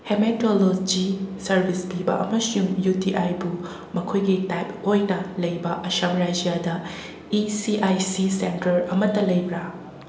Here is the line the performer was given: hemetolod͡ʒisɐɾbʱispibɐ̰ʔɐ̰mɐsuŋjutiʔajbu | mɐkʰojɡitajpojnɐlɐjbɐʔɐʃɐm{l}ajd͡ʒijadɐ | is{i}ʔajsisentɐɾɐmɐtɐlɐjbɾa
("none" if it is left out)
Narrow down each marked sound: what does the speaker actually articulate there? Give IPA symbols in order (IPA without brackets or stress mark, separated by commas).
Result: ɾ, i